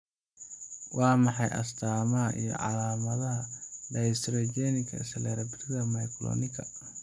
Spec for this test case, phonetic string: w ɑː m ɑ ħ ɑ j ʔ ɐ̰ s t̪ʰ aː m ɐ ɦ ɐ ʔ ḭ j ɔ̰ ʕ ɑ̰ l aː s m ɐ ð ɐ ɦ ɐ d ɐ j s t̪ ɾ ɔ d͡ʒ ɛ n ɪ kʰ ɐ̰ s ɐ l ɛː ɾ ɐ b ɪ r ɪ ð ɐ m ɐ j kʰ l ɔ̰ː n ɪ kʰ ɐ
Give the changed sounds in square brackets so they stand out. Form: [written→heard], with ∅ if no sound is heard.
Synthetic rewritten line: w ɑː m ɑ ħ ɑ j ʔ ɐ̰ s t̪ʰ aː m ɐ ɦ ɐ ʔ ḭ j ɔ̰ ʕ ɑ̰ l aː [s→∅] m ɐ ð ɐ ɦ ɐ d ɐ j s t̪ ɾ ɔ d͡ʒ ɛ n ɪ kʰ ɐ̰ s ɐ l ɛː ɾ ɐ b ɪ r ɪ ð ɐ m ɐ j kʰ l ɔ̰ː n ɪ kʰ ɐ